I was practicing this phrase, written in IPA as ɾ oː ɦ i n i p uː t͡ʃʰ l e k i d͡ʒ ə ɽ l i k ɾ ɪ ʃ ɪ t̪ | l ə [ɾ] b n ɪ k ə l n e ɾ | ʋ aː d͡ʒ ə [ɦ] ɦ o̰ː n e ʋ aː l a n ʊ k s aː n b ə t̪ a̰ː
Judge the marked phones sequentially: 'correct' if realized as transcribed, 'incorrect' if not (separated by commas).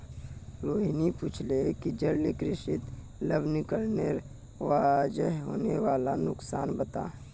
incorrect, correct